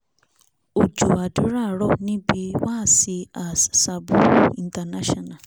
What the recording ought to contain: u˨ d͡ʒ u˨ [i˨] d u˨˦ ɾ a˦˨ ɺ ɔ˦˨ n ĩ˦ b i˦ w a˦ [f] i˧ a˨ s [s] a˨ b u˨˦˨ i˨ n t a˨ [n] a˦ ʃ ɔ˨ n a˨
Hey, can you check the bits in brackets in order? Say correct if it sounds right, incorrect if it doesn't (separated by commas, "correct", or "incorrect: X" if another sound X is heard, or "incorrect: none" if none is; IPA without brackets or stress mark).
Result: incorrect: a˨, incorrect: s, correct, correct